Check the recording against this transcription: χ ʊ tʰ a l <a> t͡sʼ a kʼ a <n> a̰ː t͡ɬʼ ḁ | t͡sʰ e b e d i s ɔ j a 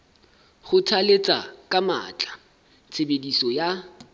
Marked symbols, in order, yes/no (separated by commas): no, no